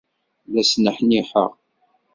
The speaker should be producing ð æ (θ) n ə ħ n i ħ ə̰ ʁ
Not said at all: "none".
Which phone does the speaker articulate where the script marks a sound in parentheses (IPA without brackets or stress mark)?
s